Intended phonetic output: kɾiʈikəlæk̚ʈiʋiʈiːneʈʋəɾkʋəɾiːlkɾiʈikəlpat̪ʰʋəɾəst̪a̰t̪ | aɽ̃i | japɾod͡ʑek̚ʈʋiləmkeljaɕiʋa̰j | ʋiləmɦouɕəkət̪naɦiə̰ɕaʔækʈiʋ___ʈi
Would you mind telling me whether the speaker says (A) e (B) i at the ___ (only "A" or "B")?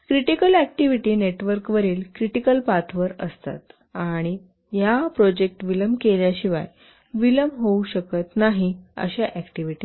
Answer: B